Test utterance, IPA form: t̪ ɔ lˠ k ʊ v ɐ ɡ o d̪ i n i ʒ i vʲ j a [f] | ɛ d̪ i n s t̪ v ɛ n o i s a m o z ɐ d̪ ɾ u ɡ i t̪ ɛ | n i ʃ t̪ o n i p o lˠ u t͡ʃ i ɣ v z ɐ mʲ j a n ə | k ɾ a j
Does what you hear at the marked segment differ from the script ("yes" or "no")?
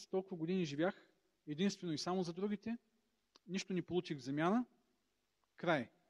yes